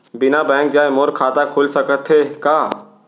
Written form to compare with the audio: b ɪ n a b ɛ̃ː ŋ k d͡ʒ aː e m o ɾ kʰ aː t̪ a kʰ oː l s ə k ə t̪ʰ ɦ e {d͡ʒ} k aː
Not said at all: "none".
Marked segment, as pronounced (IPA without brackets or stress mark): none